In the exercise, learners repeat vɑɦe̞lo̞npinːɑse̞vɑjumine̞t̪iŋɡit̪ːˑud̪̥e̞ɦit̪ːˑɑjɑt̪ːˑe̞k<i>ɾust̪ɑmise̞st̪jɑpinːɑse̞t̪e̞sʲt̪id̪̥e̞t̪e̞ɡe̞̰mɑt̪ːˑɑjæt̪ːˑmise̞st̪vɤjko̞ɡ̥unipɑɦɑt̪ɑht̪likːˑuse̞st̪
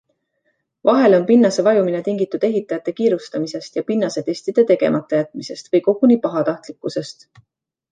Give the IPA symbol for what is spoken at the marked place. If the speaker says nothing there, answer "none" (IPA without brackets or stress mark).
iː